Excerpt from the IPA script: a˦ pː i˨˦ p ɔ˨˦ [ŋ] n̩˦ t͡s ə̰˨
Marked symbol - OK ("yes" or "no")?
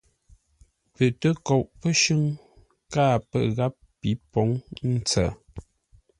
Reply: yes